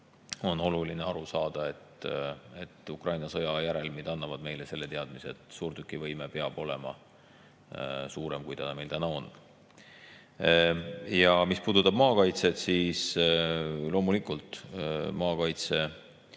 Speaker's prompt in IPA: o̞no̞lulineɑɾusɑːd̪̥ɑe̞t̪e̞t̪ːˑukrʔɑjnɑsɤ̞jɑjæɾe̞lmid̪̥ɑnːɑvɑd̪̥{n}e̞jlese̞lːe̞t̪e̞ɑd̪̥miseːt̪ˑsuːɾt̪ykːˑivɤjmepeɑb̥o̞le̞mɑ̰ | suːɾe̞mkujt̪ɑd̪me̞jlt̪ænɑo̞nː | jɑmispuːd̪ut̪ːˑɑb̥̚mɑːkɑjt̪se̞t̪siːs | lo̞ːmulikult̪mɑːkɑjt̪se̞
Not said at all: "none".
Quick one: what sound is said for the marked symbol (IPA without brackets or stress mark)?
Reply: m